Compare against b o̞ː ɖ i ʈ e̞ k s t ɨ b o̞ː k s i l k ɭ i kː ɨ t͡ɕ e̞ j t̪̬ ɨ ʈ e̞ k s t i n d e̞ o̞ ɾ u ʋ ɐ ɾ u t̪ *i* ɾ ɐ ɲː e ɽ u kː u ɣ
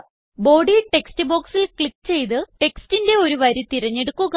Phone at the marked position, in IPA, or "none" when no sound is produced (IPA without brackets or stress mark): i